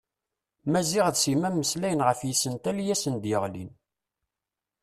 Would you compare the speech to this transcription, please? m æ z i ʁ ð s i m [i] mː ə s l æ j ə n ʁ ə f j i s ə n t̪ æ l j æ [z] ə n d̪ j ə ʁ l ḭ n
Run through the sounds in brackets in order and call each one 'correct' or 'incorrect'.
incorrect: æ, incorrect: s

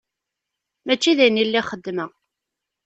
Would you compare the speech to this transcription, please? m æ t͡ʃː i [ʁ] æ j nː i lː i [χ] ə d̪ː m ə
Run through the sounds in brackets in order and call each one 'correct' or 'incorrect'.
incorrect: ð, correct

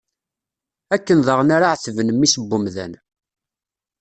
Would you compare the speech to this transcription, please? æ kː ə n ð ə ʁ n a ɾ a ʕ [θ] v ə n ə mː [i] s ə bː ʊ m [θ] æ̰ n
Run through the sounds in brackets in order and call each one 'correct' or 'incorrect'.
correct, correct, incorrect: ð

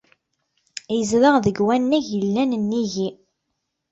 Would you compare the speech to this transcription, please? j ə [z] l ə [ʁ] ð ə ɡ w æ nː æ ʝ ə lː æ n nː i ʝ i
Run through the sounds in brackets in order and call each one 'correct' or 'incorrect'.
correct, correct

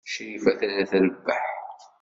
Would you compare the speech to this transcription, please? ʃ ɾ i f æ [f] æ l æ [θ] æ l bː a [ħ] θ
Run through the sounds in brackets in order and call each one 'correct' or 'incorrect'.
incorrect: θ, correct, correct

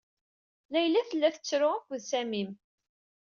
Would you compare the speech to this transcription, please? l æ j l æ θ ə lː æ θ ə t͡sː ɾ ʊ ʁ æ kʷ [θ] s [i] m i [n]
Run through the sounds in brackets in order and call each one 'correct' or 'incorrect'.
incorrect: ð, incorrect: æ, incorrect: m

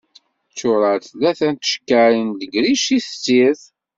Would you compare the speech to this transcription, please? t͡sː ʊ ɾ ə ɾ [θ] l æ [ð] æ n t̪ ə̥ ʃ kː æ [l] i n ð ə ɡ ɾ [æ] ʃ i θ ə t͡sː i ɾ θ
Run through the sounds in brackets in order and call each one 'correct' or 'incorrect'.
correct, incorrect: θ, incorrect: ɾ, incorrect: i

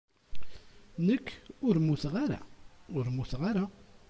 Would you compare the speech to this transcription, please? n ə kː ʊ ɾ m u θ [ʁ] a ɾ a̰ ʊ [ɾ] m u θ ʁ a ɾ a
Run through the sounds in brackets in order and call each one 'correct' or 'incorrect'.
correct, correct

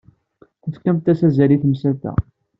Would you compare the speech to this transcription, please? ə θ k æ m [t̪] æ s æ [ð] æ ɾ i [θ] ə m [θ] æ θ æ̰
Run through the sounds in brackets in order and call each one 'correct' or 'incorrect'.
correct, incorrect: z, correct, incorrect: s

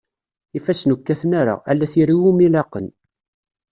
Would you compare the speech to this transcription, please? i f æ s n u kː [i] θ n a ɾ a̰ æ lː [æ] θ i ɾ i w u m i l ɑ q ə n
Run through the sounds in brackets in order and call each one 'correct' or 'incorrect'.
incorrect: æ, correct

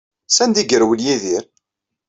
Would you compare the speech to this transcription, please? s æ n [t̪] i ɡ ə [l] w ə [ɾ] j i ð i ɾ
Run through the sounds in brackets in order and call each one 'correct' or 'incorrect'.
incorrect: d̪, incorrect: ɾ, incorrect: l

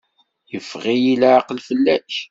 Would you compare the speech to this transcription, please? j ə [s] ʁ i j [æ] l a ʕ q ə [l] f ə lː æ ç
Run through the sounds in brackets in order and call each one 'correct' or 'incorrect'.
incorrect: f, incorrect: i, correct

